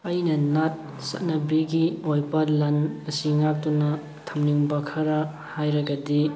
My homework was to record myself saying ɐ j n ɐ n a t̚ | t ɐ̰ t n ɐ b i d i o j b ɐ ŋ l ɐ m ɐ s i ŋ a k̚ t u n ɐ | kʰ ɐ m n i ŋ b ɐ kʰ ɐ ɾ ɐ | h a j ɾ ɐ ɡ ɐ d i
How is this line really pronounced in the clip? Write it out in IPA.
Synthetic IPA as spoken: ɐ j n ɐ n a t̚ | s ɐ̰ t n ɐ b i ɡ i o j b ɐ l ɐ n ɐ s i ŋ a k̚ t u n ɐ | tʰ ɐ m n i ŋ b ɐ kʰ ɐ ɾ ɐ | h a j ɾ ɐ ɡ ɐ d i